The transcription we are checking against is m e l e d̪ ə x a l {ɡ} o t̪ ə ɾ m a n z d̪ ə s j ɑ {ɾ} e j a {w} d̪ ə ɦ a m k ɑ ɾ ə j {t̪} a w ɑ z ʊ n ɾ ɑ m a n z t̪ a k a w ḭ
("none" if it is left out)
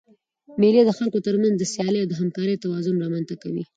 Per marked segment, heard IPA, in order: k, l, w, t̪

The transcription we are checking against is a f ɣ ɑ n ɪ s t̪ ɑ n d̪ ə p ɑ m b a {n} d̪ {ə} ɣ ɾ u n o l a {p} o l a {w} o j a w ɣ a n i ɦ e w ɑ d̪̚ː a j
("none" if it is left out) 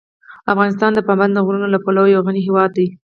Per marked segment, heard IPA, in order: n, ə, p, w

